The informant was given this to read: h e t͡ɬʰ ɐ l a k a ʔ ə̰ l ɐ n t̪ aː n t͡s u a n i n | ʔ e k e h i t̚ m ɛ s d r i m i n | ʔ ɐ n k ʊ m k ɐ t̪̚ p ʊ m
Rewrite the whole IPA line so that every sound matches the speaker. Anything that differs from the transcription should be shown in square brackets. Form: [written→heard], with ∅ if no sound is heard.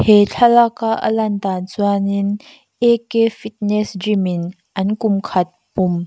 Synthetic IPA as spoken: h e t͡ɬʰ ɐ l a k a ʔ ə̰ l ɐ n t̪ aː n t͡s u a n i n | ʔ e k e [h→f] i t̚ [m→n] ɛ s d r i m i n | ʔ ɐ n k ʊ m [k→kʰ] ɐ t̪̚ p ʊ m